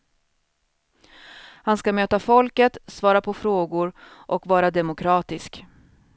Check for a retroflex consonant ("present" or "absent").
absent